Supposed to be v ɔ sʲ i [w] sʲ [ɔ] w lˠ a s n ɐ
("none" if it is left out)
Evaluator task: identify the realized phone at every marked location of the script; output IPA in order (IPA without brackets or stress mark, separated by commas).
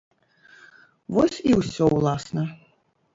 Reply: w, ɔ